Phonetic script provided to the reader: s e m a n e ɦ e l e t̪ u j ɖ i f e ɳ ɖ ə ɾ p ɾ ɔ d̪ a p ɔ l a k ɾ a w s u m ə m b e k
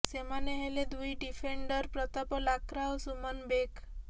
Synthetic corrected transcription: s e m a n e ɦ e l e d̪ u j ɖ i f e ɳ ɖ ə ɾ p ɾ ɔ t̪ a p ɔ l a k ɾ a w s u m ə n b e k